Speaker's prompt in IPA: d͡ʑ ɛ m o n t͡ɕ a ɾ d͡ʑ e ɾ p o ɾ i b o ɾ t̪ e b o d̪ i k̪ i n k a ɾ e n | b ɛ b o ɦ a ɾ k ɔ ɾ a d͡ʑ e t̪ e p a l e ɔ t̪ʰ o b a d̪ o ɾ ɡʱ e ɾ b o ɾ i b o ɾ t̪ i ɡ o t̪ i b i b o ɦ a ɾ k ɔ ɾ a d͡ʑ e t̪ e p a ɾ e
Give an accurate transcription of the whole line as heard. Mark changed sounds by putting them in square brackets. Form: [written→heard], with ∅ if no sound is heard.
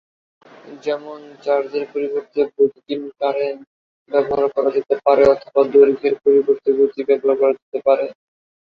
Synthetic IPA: d͡ʑ ɛ m o n t͡ɕ a ɾ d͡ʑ e ɾ p o ɾ i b o ɾ t̪ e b o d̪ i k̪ i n k a ɾ e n | b ɛ b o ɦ a ɾ k ɔ ɾ a d͡ʑ e t̪ e p a [l→ɾ] e ɔ t̪ʰ o b a d̪ o ɾ ɡʱ e ɾ [b→p] o ɾ i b o ɾ t̪ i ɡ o t̪ i b [i→ɛ] b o ɦ a ɾ k ɔ ɾ a d͡ʑ e t̪ e p a ɾ e

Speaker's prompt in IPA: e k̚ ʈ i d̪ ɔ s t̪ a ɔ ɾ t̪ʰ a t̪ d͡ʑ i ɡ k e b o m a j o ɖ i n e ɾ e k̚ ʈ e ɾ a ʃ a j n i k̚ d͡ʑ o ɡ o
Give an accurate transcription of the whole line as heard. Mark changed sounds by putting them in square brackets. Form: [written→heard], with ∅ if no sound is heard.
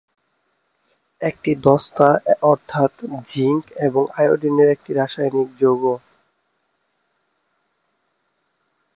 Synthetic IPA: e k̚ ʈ i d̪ ɔ s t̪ a ɔ ɾ t̪ʰ a t̪ d͡ʑ i [ɡ→ŋ] k e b o [m→ŋ] a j o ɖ i n e ɾ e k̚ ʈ [e→i] ɾ a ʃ a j n i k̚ d͡ʑ o ɡ o

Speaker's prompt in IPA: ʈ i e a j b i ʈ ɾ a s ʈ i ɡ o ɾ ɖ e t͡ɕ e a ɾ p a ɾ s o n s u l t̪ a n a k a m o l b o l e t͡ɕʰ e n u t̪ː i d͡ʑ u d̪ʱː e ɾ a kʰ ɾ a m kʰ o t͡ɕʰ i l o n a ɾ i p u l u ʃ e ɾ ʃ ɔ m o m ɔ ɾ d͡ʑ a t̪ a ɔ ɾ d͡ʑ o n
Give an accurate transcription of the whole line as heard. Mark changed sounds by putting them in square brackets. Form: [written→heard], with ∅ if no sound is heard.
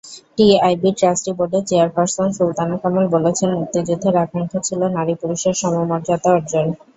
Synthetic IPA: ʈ i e a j b i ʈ ɾ a s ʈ i [ɡ→b] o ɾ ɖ e t͡ɕ e a ɾ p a ɾ s o n s u l t̪ a n a k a m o l b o l e t͡ɕʰ e n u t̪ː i d͡ʑ u d̪ʱː e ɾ a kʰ ɾ a [m→ŋ] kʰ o t͡ɕʰ i l o n a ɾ i p u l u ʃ e ɾ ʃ ɔ m o m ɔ ɾ d͡ʑ a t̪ a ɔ ɾ d͡ʑ o n

